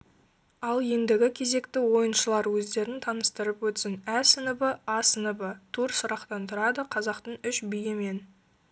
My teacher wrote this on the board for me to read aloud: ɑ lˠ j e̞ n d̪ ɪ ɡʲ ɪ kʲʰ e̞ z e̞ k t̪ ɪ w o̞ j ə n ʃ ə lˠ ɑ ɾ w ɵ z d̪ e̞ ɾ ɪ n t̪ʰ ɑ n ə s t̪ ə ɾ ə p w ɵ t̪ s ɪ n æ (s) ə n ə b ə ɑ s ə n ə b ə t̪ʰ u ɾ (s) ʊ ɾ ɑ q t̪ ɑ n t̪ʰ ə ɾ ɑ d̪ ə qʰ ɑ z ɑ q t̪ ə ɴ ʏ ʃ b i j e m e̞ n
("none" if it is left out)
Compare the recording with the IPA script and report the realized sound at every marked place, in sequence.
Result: s, s

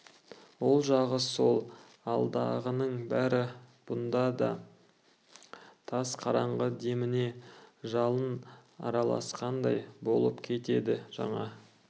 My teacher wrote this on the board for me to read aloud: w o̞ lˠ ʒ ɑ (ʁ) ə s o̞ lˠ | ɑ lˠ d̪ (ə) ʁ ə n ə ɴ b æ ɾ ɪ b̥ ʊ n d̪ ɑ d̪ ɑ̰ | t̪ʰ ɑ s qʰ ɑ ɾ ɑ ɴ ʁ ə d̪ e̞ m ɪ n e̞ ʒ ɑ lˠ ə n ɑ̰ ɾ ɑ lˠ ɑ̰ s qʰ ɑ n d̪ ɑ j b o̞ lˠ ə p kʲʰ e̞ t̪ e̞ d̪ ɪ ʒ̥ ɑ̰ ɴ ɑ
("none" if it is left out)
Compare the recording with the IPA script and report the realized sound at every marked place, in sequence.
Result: ʁ, ɑ

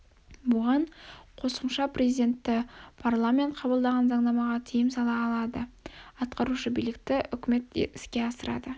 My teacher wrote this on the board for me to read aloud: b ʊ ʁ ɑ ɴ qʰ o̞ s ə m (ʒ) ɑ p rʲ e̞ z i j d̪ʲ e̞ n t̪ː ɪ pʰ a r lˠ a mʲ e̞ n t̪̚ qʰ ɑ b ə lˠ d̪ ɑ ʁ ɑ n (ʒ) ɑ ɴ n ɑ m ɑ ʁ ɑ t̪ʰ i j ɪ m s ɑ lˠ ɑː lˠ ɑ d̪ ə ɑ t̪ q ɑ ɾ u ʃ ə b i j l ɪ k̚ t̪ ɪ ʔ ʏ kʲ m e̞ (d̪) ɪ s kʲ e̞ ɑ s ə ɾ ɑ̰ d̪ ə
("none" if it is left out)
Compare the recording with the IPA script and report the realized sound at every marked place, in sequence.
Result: ʃ, z, t̪

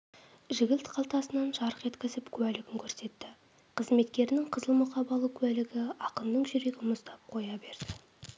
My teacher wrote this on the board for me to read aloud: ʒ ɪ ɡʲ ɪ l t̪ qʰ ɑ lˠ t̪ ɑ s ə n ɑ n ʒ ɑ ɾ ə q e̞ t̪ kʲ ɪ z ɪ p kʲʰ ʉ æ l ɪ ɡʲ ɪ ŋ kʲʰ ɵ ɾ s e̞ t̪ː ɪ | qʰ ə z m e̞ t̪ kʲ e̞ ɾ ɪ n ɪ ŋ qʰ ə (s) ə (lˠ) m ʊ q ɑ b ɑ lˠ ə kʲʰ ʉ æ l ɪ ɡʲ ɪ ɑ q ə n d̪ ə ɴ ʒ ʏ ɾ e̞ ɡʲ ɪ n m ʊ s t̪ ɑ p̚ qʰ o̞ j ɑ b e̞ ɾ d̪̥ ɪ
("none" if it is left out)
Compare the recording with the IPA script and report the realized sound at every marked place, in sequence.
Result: z, lˠ

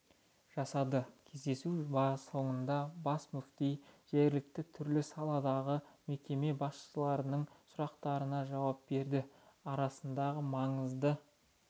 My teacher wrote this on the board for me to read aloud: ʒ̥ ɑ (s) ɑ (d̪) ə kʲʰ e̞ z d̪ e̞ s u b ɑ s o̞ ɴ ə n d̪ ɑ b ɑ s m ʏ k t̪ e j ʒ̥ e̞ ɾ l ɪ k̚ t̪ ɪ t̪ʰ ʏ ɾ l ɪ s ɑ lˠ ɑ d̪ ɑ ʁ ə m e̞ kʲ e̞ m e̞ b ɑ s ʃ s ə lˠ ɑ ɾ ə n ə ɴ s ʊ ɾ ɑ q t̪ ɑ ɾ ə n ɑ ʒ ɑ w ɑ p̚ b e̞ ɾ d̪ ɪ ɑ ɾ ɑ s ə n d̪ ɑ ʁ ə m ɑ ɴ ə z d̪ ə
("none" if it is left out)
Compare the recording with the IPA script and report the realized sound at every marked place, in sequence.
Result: s, d̪

